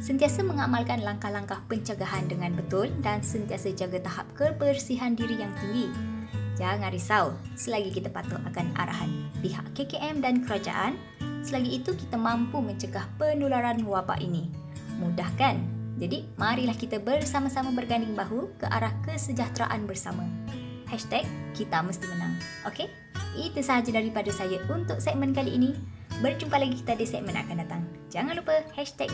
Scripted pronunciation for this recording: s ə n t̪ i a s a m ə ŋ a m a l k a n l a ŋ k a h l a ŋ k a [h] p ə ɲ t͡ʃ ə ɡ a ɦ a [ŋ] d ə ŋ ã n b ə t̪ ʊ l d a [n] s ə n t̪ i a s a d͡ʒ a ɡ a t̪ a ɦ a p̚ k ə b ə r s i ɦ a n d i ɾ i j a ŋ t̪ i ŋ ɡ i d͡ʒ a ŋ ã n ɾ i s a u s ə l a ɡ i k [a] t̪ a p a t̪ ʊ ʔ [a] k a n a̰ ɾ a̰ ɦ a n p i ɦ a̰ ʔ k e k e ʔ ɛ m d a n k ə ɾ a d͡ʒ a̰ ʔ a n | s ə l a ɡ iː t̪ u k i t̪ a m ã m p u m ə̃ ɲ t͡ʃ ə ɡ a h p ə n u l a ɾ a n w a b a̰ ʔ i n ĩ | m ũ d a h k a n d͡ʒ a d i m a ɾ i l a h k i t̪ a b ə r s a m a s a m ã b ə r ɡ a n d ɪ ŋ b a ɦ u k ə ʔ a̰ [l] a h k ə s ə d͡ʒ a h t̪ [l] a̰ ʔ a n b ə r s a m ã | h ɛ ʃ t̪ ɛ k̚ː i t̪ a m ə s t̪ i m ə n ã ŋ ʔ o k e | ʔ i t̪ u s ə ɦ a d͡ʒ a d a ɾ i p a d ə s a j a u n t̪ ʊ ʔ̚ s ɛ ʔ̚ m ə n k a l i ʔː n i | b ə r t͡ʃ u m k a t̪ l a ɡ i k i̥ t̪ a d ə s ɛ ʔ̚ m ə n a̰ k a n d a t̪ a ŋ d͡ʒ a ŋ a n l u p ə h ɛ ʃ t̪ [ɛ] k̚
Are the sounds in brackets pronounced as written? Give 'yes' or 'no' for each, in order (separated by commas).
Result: yes, no, yes, no, yes, no, no, yes